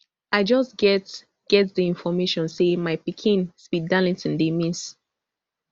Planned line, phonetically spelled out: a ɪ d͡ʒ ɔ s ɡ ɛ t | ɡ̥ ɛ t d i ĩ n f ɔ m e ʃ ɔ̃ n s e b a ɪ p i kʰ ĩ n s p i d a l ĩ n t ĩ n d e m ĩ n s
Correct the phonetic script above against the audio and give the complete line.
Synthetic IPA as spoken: a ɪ d͡ʒ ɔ s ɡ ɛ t | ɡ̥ ɛ t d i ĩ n f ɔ m e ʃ ɔ̃ n s e m a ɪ p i kʰ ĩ n s p i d a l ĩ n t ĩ n d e m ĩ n s